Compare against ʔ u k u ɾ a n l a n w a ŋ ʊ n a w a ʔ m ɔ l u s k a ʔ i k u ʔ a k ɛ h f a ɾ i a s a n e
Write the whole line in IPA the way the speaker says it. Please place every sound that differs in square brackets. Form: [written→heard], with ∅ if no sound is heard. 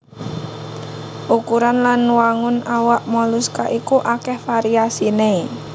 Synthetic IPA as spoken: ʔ u k u ɾ a n l a n w a ŋ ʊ n a w a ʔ m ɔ l u s k a ʔ i k u ʔ a k ɛ h f a ɾ i a s [a→i] n e